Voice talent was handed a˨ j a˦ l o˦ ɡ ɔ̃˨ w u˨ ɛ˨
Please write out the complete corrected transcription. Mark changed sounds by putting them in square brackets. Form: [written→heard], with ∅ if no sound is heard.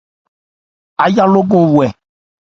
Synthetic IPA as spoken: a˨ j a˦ l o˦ ɡ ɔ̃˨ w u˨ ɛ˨